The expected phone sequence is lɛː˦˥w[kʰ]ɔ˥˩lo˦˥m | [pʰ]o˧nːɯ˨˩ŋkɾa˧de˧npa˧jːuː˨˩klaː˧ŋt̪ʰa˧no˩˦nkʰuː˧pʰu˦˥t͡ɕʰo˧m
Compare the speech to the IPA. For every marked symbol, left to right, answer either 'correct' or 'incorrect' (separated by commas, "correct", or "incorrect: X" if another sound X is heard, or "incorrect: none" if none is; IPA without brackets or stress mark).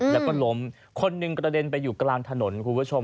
incorrect: k, incorrect: kʰ